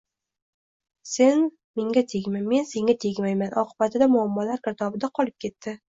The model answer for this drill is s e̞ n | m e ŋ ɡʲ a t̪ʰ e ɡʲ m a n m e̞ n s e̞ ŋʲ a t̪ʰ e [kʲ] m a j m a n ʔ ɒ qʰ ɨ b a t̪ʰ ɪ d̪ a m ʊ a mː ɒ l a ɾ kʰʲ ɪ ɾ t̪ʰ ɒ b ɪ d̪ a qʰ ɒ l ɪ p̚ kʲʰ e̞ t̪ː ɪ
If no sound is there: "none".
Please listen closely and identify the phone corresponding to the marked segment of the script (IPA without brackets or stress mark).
ɡʲ